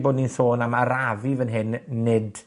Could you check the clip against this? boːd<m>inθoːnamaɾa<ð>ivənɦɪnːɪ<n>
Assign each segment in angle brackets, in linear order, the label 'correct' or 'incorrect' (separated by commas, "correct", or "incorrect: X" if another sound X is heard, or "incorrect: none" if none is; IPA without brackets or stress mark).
incorrect: n, incorrect: v, incorrect: d